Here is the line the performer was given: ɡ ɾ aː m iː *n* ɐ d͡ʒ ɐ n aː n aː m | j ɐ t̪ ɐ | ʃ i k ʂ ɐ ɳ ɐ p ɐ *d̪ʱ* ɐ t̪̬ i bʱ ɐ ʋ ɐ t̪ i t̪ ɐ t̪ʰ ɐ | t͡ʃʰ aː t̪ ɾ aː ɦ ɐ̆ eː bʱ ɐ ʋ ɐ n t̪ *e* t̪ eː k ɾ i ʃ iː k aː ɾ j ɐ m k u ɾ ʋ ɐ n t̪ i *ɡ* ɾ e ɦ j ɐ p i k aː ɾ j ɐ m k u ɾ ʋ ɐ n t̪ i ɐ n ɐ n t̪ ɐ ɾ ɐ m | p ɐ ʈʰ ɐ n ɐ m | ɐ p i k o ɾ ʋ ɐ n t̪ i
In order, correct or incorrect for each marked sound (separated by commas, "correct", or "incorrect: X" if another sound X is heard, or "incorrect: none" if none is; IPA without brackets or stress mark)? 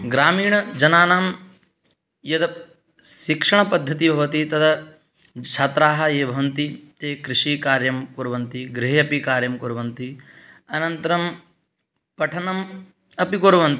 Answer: incorrect: ɳ, incorrect: d̪ʱː, incorrect: i, correct